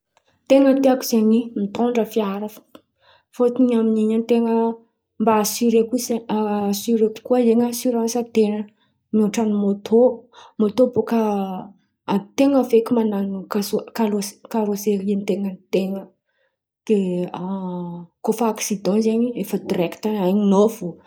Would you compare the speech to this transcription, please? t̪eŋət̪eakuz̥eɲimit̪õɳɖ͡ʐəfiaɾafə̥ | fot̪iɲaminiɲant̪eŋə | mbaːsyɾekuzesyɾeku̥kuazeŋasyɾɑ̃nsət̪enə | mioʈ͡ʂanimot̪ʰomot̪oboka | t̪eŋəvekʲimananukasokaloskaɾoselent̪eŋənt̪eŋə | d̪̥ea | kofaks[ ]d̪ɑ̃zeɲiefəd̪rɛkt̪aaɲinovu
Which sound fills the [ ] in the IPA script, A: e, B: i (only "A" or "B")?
B